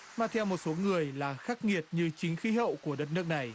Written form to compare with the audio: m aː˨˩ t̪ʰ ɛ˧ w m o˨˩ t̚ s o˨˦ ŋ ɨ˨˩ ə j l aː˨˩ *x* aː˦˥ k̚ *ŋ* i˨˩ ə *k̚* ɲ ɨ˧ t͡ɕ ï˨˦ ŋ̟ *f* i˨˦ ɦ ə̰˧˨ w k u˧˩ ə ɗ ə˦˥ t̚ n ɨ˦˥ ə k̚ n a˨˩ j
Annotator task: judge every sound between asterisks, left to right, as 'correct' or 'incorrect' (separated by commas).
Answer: correct, correct, incorrect, incorrect